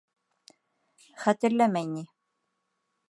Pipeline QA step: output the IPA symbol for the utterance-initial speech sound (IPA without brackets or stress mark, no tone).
χ